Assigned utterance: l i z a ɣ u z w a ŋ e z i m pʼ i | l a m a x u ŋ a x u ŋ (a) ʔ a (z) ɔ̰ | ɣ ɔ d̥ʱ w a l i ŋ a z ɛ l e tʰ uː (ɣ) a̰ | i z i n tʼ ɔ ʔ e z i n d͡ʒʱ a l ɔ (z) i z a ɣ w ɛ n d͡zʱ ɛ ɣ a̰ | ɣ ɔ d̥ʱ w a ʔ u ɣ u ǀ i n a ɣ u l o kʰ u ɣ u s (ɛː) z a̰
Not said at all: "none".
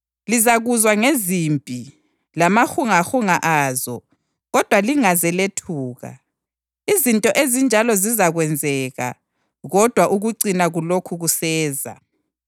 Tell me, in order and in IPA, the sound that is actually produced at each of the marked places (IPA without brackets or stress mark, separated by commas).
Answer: a, z, ɣ, z, ɛː